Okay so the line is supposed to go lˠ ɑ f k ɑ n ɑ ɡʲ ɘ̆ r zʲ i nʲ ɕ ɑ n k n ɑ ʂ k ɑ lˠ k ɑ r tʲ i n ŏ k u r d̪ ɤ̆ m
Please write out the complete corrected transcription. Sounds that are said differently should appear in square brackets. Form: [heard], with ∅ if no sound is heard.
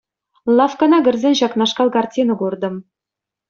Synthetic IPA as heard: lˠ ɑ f k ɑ n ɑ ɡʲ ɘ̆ r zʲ [e] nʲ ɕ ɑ [∅] k n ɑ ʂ k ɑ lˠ k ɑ r tʲ i n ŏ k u r d̪ ɤ̆ m